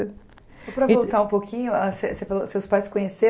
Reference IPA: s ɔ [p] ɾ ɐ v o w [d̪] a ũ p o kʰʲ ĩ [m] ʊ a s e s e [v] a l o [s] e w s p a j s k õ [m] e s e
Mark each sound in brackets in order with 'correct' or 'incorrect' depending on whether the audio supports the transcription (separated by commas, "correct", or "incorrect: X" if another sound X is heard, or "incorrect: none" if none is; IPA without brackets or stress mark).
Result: correct, incorrect: t̪, incorrect: ɲ, incorrect: f, correct, incorrect: ɲ